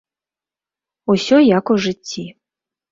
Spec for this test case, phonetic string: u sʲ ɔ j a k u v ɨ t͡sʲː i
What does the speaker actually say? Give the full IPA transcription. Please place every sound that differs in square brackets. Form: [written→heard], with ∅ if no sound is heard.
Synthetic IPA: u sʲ ɔ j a k u [v→ʐ] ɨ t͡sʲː i